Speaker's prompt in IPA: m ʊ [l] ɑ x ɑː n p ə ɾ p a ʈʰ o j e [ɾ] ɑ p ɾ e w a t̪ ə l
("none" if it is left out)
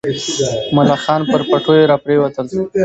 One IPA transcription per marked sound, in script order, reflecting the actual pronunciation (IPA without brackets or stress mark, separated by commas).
l, ɾ